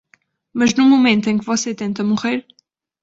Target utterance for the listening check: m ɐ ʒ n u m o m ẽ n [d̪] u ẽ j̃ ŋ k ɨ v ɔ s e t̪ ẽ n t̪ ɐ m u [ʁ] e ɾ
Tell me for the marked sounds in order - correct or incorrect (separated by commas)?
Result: incorrect, correct